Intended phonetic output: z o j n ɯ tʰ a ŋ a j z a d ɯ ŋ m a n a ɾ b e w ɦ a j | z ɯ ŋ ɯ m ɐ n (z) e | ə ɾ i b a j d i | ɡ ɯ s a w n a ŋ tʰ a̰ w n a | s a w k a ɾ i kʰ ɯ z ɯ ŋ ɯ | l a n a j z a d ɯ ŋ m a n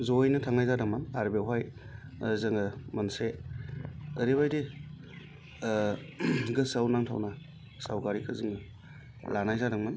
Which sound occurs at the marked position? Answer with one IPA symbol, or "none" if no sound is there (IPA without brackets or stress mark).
s